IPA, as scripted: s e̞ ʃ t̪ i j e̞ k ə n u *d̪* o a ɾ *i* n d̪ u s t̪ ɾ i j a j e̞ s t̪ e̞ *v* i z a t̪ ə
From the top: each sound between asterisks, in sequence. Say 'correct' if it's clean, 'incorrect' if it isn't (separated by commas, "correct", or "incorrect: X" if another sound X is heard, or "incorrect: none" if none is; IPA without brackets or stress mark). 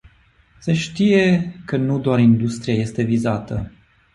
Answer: correct, correct, correct